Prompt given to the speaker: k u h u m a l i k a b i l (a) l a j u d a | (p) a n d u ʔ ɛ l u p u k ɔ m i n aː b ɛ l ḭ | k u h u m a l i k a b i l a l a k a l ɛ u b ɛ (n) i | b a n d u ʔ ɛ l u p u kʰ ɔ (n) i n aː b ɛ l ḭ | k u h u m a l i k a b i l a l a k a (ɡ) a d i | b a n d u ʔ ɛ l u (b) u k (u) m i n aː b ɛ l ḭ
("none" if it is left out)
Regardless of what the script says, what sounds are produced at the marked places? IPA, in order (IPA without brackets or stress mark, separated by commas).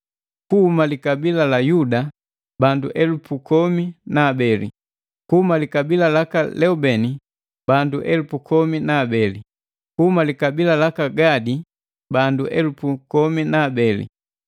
a, b, n, m, ɡ, p, ɔ